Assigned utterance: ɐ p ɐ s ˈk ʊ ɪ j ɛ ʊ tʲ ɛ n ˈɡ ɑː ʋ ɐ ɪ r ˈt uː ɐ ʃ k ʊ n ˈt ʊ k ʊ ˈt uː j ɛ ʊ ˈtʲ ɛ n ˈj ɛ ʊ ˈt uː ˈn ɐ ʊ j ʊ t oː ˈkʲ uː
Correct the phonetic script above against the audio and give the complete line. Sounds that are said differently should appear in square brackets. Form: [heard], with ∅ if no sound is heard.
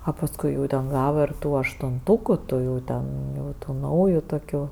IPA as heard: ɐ p ɐ s ˈk ʊ ɪ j ɛ ʊ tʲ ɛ n ˈɡ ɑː ʋ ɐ ɪ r ˈt uː ɐ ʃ [t] ʊ n ˈt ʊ k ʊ ˈt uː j ɛ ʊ ˈtʲ ɛ n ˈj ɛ ʊ ˈt uː ˈn ɐ ʊ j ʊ t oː ˈkʲ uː